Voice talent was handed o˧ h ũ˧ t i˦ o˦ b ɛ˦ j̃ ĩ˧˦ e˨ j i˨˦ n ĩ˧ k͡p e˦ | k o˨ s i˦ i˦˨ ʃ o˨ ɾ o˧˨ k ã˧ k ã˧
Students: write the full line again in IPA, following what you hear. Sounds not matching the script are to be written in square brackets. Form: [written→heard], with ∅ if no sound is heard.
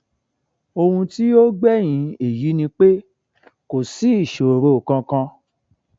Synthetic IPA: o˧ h ũ˧ t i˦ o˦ [b→ɡ͡b] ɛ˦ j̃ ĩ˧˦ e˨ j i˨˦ n ĩ˧ k͡p e˦ | k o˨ s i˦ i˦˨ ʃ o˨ ɾ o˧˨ k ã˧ k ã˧